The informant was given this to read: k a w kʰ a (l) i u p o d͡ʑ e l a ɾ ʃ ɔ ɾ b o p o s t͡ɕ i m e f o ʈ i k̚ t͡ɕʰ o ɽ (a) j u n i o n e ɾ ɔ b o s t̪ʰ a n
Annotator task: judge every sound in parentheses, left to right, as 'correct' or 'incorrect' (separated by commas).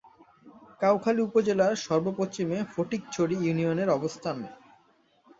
correct, incorrect